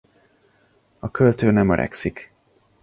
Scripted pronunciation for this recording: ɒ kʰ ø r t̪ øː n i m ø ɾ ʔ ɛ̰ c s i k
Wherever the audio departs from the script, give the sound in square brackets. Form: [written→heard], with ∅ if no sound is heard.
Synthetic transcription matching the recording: ɒ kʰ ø [r→l] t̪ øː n [i→ɛ] m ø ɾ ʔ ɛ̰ [c→k] s i k